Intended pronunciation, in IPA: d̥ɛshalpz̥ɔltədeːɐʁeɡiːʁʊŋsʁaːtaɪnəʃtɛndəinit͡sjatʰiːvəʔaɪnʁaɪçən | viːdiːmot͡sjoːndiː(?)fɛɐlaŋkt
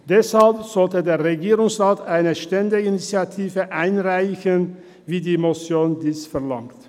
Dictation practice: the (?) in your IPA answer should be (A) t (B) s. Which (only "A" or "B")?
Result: B